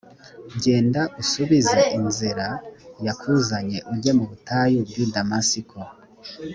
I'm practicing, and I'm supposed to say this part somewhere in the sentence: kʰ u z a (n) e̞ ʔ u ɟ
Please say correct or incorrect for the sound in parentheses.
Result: incorrect